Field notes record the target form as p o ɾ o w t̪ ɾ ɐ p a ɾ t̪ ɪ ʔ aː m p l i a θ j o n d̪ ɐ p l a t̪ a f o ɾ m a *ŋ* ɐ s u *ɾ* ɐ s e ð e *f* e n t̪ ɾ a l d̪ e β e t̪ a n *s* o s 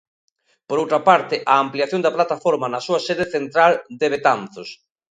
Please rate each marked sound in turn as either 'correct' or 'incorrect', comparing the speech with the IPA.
incorrect: n, incorrect: none, incorrect: θ, incorrect: θ

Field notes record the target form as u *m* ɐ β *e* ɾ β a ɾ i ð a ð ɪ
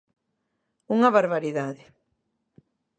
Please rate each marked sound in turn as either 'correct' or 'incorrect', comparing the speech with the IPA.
incorrect: ŋ, incorrect: a

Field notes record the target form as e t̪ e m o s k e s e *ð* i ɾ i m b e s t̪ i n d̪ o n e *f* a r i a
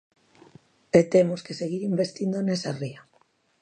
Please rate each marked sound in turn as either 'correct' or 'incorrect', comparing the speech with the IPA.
incorrect: ɣ, incorrect: s

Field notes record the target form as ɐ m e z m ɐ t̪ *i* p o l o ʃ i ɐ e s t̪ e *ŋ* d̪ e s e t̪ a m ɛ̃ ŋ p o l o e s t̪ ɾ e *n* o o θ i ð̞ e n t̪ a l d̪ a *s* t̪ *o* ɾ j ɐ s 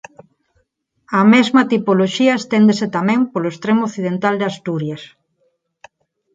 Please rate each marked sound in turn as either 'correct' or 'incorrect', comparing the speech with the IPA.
correct, incorrect: n, incorrect: m, correct, incorrect: u

